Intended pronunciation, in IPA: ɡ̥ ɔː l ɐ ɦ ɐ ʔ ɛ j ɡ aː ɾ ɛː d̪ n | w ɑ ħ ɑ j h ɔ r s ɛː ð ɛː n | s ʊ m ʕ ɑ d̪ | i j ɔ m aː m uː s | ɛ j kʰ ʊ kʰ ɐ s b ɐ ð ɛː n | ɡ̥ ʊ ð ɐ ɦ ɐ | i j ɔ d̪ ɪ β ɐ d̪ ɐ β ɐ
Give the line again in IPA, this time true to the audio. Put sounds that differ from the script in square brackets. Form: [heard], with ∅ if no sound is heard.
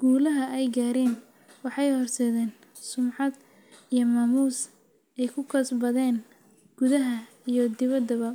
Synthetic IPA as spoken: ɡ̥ [uː] l ɐ ɦ ɐ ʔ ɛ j ɡ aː ɾ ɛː [∅] n | w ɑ ħ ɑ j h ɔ r s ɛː ð ɛː n | s ʊ m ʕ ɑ d̪ | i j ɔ m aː m uː s | ɛ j kʰ ʊ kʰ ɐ s b ɐ ð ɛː n | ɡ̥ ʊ ð ɐ ɦ ɐ | i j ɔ d̪ ɪ β ɐ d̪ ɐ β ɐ